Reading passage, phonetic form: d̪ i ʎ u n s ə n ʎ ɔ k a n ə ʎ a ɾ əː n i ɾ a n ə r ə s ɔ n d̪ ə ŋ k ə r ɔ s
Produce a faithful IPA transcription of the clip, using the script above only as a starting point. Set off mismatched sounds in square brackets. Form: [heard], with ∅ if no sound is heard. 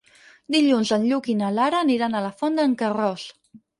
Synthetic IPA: d̪ i ʎ u n [z] ə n ʎ [u] k [i] n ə [l] a ɾ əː n i ɾ a n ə [l] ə [f] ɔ n d̪ ə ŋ k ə r ɔ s

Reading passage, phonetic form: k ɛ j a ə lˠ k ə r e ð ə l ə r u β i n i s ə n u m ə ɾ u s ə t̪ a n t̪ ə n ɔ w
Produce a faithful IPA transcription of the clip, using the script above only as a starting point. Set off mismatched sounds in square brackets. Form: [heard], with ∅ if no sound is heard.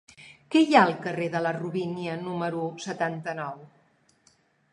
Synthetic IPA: k ɛ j a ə lˠ k ə r e ð ə l ə r u β i n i [∅] ə n u m ə ɾ u s ə t̪ a n t̪ ə n ɔ w

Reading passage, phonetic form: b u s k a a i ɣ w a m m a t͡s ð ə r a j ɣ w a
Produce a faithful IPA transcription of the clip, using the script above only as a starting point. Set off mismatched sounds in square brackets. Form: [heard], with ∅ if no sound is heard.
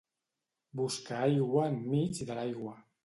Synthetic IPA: b u s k a a [j] ɣ w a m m [i] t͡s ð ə [l] a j ɣ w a

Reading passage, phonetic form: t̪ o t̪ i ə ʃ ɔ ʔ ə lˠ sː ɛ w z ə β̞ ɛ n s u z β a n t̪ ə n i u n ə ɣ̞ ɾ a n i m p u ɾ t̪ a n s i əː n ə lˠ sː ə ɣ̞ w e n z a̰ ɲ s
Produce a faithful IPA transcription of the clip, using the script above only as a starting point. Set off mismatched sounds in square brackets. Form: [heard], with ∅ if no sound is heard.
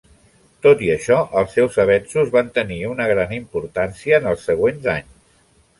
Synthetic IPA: t̪ o t̪ i ə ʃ ɔ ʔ ə lˠ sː ɛ w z ə β̞ ɛ n s u z β a n t̪ ə n i u n ə ɣ̞ ɾ a n i m p u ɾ t̪ a n s i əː n ə lˠ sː ə ɣ̞ w e n z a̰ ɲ s

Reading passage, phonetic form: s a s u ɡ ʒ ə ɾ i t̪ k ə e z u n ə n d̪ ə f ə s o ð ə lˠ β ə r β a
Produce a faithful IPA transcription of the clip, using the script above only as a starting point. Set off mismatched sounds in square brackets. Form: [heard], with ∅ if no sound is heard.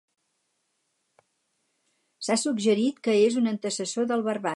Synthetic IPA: s a s u ɡ ʒ ə ɾ i t̪ k ə e z u n ə n [t̪] ə [s] ə s o ð ə lˠ β ə r β a

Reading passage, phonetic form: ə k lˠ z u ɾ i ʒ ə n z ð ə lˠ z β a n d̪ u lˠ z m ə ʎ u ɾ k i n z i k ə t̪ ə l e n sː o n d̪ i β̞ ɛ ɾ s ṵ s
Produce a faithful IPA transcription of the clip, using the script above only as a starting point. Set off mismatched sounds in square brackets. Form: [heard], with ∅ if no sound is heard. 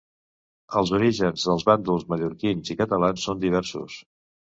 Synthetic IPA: ə [∅] lˠ z u ɾ i ʒ ə n z ð ə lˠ z β a n d̪ u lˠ z m ə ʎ u ɾ k i n z i k ə t̪ ə l [a] n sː o n d̪ i β̞ ɛ ɾ s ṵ s

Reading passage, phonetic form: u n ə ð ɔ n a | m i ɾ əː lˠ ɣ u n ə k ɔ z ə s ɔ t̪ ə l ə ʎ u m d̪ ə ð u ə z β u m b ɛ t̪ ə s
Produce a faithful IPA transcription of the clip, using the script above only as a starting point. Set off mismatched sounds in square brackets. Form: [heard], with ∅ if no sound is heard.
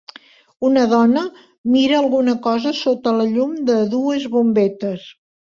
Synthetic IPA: u n ə ð ɔ n [ə] | m i ɾ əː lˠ ɣ u n ə k ɔ z ə s [o] t̪ ə l ə ʎ u m d̪ ə ð u ə z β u m b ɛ t̪ ə s

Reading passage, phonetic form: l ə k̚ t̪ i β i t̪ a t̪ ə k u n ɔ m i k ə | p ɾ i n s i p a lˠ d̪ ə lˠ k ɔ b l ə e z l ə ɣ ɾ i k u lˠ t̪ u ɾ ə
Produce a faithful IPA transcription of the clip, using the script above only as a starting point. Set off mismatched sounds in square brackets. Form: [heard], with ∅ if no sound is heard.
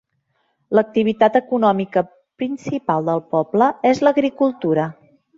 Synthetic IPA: l ə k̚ t̪ i β i t̪ a t̪ ə k u n ɔ m i k ə | p ɾ i n s i p a lˠ d̪ ə lˠ [p] ɔ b l ə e z l ə ɣ ɾ i k u lˠ t̪ u ɾ ə

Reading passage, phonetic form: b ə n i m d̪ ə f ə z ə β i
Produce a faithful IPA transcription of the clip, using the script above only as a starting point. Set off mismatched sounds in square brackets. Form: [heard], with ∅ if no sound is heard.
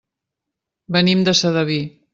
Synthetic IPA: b ə n i m d̪ ə [s] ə [ð] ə β i

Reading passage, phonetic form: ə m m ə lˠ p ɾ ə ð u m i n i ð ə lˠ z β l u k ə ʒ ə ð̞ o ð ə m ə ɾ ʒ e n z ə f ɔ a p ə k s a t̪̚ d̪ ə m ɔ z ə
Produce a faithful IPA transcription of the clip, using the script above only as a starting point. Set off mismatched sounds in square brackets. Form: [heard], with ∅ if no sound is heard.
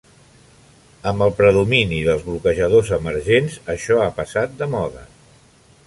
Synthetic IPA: ə m [b] ə lˠ p ɾ ə ð u m i n i ð ə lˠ z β l u k ə ʒ ə ð̞ o [z] ə m ə ɾ ʒ e n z ə [ʃ] ɔ a p ə [∅] s a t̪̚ d̪ ə m ɔ [ð] ə

